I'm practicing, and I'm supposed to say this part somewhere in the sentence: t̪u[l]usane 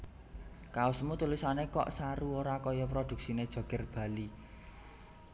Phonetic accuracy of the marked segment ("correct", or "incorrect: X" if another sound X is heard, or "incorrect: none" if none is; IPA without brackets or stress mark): correct